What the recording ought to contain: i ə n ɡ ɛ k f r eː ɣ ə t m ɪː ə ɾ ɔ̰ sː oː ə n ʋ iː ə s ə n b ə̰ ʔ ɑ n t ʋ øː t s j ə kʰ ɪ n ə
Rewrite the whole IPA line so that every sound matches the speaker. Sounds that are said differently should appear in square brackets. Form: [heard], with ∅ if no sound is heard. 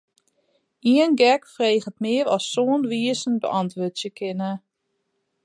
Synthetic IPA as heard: i ə n ɡ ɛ k f r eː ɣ ə t m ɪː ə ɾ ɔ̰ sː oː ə n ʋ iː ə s ə n b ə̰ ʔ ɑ n t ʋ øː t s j ə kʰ ɪ n ə